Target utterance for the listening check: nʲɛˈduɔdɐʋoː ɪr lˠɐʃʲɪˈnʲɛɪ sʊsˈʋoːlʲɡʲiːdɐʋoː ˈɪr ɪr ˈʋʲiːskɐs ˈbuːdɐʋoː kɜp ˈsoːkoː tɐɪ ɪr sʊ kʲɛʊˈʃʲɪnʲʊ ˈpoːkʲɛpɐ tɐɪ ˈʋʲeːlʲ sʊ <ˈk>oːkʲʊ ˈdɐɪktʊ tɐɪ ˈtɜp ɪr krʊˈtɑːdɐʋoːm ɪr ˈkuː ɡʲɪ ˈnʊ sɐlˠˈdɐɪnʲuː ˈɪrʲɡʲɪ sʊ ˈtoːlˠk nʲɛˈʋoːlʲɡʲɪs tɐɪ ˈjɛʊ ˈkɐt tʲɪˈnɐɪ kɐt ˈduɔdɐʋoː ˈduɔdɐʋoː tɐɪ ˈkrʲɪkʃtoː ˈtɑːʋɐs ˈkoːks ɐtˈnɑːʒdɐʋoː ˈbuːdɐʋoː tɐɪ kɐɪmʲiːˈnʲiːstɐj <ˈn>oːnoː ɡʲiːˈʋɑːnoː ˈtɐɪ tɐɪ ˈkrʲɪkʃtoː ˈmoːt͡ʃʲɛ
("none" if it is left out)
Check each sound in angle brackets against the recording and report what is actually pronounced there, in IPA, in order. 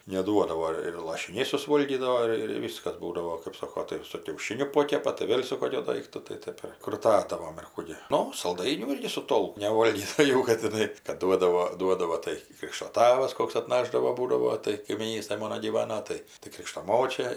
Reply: k, m

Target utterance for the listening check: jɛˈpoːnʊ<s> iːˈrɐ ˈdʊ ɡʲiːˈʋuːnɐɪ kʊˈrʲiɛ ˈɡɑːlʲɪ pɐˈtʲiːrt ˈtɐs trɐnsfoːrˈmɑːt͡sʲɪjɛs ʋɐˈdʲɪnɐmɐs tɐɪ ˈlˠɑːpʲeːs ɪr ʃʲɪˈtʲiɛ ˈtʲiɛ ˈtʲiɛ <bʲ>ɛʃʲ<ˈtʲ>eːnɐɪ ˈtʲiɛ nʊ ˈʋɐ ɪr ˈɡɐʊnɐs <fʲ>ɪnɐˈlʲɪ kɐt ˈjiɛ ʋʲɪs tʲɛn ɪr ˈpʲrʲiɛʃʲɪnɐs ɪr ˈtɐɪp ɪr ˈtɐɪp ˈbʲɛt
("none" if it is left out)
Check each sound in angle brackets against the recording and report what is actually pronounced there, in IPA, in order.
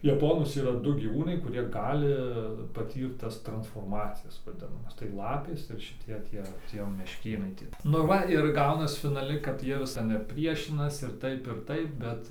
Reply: s, mʲ, kʲ, fʲ

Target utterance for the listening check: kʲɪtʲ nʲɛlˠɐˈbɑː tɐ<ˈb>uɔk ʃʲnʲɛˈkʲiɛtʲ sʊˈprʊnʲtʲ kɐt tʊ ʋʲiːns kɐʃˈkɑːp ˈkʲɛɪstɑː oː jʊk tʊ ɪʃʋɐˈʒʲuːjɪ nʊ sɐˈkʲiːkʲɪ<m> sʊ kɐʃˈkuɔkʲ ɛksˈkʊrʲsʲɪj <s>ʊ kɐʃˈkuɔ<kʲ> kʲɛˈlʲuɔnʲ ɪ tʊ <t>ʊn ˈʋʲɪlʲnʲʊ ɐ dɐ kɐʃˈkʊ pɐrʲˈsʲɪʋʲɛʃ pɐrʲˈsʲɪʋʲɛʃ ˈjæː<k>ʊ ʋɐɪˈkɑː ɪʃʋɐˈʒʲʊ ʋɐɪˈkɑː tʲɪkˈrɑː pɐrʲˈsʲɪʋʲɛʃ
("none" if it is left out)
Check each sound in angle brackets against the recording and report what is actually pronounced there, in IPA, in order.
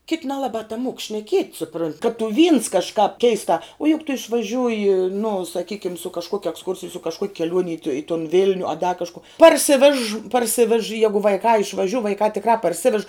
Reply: m, m, s, kʲ, t, ɡ

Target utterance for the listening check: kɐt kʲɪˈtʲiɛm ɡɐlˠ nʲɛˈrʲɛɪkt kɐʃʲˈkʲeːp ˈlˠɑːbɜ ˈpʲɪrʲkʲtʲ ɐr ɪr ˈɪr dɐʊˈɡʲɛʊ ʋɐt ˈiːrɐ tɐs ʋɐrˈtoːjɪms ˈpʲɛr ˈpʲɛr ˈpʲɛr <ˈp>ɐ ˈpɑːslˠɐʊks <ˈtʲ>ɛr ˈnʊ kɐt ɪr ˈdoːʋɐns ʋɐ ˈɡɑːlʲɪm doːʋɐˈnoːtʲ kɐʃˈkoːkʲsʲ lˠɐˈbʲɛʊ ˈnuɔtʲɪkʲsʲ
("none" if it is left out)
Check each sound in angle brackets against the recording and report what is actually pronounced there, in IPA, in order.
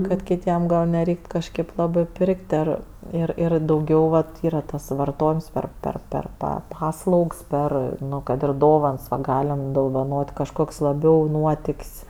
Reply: p, pʲ

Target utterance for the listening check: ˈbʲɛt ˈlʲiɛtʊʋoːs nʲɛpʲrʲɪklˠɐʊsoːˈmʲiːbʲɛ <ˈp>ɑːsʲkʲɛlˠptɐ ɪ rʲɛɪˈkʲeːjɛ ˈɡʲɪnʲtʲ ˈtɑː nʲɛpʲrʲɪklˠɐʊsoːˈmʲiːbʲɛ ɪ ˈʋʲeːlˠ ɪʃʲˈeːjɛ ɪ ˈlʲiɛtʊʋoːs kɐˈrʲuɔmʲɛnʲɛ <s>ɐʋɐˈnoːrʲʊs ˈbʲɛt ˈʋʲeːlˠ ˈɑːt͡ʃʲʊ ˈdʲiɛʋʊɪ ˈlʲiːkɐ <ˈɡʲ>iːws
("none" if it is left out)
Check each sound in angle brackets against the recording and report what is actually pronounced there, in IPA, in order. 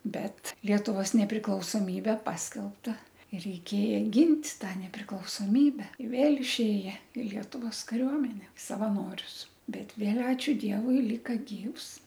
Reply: p, s, ɡʲ

